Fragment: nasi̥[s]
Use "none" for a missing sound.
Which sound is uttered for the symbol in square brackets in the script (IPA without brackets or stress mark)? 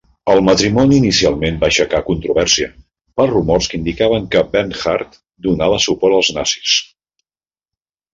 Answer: s